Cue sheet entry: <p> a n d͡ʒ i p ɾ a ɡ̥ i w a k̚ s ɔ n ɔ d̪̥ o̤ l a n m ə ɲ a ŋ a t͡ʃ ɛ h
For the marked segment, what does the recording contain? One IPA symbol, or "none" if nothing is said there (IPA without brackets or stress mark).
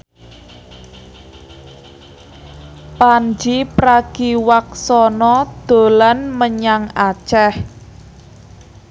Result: p